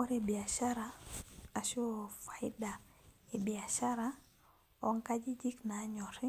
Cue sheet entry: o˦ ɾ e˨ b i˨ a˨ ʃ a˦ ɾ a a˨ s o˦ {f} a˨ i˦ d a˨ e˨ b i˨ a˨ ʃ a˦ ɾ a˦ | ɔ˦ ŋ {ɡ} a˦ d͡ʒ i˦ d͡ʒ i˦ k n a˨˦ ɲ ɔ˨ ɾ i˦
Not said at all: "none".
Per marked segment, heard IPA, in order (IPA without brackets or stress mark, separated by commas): f, k